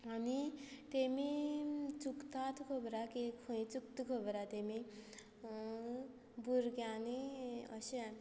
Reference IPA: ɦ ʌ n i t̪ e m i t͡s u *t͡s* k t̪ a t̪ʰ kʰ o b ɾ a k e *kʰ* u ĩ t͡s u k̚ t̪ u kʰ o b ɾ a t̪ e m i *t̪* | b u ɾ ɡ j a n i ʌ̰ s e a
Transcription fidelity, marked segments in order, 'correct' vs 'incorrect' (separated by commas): incorrect, correct, incorrect